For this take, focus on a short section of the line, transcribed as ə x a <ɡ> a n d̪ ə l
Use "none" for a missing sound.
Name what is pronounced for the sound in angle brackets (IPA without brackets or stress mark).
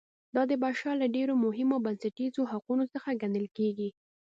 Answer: ɡ